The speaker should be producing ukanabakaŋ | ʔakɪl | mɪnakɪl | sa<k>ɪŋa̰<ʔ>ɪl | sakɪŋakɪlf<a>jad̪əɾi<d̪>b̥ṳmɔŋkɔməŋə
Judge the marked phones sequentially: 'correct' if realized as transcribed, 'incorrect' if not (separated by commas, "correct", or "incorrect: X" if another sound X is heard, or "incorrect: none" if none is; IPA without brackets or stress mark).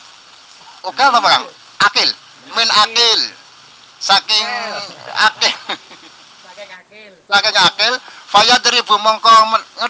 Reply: correct, incorrect: k, correct, incorrect: none